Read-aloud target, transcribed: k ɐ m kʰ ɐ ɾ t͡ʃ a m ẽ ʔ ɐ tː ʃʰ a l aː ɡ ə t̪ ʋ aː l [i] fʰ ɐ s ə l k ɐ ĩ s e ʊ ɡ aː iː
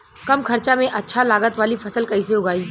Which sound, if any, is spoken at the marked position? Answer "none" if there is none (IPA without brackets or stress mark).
i